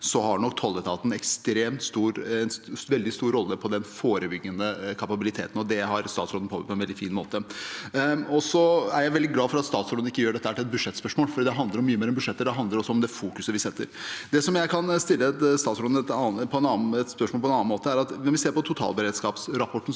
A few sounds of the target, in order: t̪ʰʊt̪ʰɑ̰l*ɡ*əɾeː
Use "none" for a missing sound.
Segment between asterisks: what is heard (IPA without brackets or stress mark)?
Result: b